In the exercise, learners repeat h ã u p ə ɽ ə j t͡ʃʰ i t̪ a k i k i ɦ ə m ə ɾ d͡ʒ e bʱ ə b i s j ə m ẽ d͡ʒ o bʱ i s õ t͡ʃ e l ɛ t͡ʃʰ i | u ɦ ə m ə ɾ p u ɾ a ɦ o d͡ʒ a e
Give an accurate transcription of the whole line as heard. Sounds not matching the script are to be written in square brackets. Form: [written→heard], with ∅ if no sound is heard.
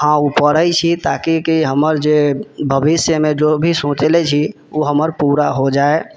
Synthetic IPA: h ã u p ə ɽ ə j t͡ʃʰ i t̪ a k i k i ɦ ə m ə ɾ d͡ʒ e bʱ ə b i s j ə m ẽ d͡ʒ o bʱ i s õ t͡ʃ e l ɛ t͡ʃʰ i | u ɦ ə m ə ɾ p u ɾ a ɦ o d͡ʒ a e

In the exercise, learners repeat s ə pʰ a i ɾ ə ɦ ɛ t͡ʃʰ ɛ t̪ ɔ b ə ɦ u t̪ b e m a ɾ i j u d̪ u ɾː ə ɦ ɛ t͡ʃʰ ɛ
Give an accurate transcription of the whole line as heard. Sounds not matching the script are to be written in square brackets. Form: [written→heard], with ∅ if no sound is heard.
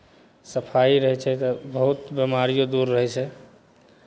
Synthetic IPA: s ə pʰ a i ɾ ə ɦ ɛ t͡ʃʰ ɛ t̪ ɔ b ə ɦ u t̪ b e m a ɾ i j [u→o] d̪ u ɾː ə ɦ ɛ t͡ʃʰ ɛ

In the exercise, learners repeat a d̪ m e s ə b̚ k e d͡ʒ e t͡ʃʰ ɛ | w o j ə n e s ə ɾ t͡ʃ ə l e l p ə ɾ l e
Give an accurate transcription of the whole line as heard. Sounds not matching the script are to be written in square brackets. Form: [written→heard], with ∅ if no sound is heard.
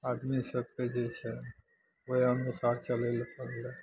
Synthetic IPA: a d̪ m [e→i] s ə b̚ k e d͡ʒ e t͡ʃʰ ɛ | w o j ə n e s [ə→a] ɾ t͡ʃ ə l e l p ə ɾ l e

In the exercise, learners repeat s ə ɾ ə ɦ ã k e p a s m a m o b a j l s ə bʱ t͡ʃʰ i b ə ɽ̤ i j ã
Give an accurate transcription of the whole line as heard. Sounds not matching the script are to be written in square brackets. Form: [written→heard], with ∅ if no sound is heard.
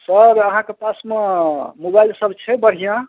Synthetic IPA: s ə ɾ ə ɦ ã k e p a s m [a→e] m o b a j l s ə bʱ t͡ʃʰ [i→ɛ] b ə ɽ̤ i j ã

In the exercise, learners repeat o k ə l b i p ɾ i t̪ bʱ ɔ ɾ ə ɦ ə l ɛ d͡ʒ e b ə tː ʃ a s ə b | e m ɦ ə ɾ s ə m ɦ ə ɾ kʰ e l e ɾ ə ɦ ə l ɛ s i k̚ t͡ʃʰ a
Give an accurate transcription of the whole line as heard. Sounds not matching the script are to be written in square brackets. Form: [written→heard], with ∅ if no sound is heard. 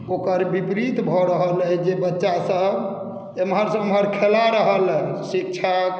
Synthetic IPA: o k ə [l→ɾ] b i p ɾ i t̪ bʱ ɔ ɾ ə ɦ ə l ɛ d͡ʒ e b ə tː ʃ a s ə b | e m ɦ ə ɾ s ə m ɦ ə ɾ kʰ e l [e→a] ɾ ə ɦ ə l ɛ s i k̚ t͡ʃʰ a

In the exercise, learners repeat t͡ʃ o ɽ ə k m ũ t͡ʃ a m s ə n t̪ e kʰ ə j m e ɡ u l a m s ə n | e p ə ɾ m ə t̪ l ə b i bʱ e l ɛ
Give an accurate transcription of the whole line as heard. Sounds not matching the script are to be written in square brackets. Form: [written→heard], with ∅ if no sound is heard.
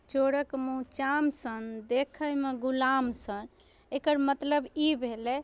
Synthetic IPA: t͡ʃ o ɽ ə k m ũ t͡ʃ a m s ə n [t̪→d̪] e kʰ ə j m e ɡ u l a m s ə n | e [p→k] ə ɾ m ə t̪ l ə b i bʱ e l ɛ

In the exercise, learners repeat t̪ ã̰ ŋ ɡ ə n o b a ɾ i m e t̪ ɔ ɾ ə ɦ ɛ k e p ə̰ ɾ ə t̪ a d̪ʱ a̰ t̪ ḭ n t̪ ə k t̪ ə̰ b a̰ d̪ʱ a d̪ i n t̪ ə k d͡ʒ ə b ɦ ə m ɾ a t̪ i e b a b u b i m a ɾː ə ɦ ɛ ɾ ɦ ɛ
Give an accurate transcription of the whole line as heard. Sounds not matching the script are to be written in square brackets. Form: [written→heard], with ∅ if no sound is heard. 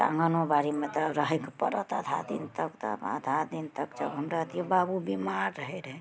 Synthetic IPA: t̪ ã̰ ŋ ɡ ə n o b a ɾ i m e t̪ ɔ ɾ ə ɦ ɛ k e p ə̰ ɾ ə t̪ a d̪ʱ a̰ [t̪→d̪] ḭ n t̪ ə k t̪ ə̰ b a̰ d̪ʱ a d̪ i n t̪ ə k d͡ʒ ə b ɦ ə m ɾ a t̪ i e b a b u b i m a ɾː ə ɦ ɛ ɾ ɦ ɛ

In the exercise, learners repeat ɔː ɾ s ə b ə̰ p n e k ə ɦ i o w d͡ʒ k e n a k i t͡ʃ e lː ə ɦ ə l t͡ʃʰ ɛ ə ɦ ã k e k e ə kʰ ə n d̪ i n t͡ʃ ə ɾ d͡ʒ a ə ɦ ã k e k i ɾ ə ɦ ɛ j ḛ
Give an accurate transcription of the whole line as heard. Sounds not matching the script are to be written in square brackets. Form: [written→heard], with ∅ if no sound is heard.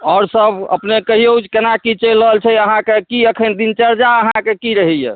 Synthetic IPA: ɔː ɾ s ə b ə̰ p n e k ə ɦ i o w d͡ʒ k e n a k i t͡ʃ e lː ə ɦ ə l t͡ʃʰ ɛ ə ɦ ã k e k [e→i] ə kʰ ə n d̪ i n t͡ʃ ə ɾ d͡ʒ a ə ɦ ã k e k i ɾ ə ɦ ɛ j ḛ

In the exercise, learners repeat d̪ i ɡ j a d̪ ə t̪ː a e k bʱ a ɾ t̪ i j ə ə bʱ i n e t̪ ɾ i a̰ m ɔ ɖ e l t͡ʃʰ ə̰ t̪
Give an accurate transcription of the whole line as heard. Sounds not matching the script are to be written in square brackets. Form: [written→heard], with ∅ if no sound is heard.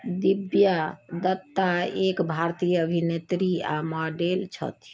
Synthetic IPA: d̪ i [ɡ→b] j a d̪ ə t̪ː a e k bʱ a ɾ t̪ i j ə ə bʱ i n e t̪ ɾ i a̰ m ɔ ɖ e l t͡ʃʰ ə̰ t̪

